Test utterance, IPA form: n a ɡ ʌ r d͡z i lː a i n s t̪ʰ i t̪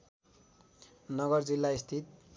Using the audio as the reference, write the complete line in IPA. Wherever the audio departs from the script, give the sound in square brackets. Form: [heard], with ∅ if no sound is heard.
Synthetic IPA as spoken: n [ʌ] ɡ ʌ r d͡z i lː a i [∅] s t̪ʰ i t̪